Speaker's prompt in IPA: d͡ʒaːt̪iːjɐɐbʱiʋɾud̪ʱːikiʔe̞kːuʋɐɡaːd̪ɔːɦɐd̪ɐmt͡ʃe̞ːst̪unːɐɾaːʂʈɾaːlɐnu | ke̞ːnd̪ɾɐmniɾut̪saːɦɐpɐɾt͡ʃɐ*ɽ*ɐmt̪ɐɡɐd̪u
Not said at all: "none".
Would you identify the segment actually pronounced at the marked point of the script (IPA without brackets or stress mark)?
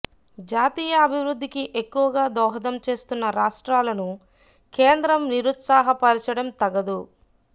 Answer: ɽ